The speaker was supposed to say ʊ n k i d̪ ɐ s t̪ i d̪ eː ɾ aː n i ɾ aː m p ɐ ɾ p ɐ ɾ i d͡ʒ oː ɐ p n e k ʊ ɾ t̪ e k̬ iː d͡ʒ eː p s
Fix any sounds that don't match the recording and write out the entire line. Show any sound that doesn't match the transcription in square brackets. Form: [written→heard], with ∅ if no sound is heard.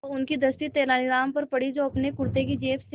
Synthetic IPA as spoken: ʊ n k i d̪ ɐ s t̪ i [d̪→t̪] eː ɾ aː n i ɾ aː m p ɐ ɾ p ɐ [ɾ→ɽ] i d͡ʒ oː ɐ p n e k ʊ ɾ t̪ e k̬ [iː→i] d͡ʒ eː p s

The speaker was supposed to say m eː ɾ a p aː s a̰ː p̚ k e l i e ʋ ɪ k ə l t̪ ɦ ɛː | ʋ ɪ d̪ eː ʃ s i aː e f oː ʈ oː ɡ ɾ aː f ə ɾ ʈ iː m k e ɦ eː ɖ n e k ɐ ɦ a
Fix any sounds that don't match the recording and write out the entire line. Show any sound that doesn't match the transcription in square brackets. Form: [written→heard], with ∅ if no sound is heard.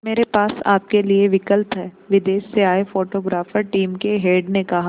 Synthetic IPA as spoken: m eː ɾ [a→e] p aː s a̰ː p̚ k e l i e ʋ ɪ k ə l t̪ ɦ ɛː | ʋ ɪ d̪ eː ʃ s [i→e] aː e f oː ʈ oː ɡ ɾ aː f ə ɾ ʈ iː m k e ɦ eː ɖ n e k ɐ ɦ a

